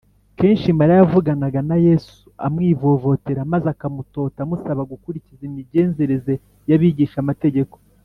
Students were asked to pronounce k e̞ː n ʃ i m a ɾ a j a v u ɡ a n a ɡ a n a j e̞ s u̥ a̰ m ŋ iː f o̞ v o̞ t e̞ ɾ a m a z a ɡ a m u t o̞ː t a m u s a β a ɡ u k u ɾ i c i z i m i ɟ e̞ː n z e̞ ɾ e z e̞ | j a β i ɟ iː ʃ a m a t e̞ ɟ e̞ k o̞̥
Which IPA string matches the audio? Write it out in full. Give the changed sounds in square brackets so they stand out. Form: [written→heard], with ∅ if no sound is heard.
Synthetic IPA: k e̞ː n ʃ i m a ɾ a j a v u ɡ a n a ɡ a n a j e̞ s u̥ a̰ m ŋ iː [f→v] o̞ v o̞ t e̞ ɾ a m a z a [ɡ→k] a m u t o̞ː t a m u s a β a ɡ u k u ɾ i c i z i m i ɟ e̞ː n z e̞ ɾ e z e̞ | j a β i ɟ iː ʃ a m a t e̞ ɟ e̞ k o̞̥